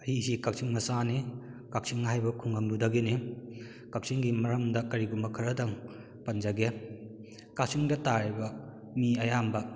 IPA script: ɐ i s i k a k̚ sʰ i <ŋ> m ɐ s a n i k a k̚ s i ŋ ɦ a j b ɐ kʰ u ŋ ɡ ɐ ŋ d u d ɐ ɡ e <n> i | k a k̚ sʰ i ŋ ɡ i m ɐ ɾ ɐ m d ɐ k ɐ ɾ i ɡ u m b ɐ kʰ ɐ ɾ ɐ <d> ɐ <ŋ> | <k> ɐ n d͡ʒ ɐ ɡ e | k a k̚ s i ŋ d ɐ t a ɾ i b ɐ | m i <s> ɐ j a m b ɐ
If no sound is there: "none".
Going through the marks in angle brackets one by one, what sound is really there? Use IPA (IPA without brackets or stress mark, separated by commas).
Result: ŋ, n, d, ŋ, p, none